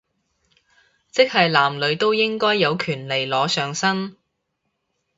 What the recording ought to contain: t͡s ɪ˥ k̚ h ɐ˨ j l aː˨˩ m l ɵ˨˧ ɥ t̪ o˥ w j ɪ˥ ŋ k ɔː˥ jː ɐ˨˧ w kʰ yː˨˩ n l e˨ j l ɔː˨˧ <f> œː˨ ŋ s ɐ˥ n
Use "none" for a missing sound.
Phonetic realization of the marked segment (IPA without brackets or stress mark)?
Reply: s